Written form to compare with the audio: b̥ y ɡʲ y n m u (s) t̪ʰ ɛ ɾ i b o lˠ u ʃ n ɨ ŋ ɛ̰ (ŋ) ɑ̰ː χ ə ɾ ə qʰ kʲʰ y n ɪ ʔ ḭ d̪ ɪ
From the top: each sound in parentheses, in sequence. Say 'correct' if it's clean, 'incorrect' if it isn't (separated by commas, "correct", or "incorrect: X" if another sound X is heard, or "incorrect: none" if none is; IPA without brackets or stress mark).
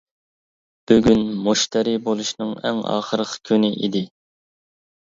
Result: incorrect: ʃ, correct